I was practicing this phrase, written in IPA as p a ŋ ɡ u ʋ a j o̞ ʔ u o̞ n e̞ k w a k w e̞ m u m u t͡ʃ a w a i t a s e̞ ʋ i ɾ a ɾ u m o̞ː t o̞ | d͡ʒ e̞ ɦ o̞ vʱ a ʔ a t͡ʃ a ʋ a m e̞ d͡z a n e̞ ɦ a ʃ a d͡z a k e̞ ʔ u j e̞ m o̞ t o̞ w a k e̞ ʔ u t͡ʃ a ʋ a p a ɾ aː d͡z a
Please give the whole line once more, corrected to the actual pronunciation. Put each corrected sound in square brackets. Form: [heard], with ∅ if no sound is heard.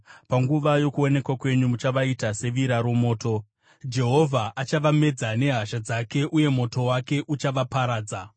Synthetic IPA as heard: p a ŋ ɡ u ʋ a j o̞ [k] u o̞ n e̞ k w a k w e̞ [ɲ] u m u t͡ʃ a [ʋ] a i t a s e̞ ʋ i ɾ a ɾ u m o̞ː t o̞ | d͡ʒ e̞ ɦ o̞ vʱ a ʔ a t͡ʃ a ʋ a m e̞ d͡z a n e̞ ɦ a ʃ a d͡z a k e̞ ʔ u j e̞ m o̞ t o̞ w a k e̞ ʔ u t͡ʃ a ʋ a p a ɾ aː d͡z a